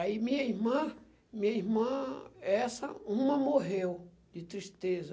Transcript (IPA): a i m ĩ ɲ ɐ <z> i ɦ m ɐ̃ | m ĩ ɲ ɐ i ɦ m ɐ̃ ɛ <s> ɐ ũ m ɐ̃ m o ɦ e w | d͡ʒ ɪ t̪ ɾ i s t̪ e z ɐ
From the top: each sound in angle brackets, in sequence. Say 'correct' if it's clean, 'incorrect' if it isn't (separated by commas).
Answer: incorrect, correct